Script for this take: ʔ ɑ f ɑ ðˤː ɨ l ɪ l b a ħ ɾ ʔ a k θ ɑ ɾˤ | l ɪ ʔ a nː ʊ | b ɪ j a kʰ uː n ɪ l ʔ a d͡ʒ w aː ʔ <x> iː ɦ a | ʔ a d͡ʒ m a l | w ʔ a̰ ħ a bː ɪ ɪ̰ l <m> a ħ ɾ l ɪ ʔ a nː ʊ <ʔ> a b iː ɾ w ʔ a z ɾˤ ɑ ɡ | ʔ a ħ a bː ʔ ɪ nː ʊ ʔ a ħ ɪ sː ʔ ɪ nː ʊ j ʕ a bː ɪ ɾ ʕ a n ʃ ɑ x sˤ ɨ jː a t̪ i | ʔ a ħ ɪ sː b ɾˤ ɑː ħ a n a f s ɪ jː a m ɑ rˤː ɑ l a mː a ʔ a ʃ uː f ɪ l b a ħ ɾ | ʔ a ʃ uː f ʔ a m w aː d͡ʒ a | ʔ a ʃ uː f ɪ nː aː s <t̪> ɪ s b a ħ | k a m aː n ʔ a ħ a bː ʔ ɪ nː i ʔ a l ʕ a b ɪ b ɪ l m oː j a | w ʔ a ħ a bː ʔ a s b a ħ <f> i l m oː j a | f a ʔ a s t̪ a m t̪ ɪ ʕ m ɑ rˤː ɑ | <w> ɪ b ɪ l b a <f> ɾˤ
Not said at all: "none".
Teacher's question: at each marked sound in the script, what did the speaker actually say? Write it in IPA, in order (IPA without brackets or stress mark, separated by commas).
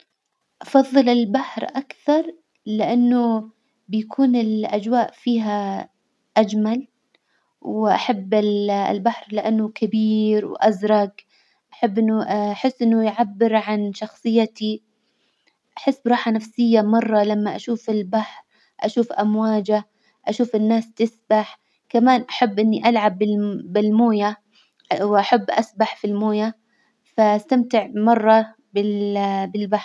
f, b, k, t̪, f, b, ħ